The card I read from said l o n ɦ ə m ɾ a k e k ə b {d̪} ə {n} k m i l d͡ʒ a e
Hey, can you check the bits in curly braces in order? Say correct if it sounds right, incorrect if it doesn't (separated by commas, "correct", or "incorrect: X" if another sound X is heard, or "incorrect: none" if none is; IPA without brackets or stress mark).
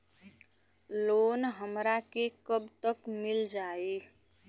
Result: incorrect: t̪, incorrect: none